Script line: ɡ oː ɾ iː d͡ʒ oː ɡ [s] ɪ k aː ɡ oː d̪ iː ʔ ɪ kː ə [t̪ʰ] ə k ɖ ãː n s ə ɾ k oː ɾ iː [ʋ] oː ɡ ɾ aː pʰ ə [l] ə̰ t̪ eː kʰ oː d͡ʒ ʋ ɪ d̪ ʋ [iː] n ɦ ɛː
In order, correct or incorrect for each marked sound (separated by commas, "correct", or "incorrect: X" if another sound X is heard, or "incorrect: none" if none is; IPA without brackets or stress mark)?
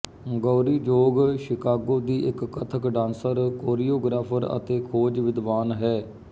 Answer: incorrect: ʃ, correct, incorrect: none, incorrect: ɾ, incorrect: aː